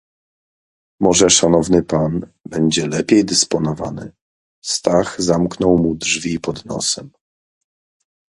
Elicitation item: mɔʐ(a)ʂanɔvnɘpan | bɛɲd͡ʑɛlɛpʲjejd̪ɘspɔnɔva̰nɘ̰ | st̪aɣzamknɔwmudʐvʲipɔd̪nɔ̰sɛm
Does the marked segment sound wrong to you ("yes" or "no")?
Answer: yes